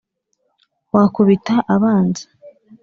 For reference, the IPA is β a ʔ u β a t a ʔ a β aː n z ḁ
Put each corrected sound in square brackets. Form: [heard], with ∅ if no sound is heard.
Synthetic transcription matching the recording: [w] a [k] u β [i] t a ʔ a β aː n z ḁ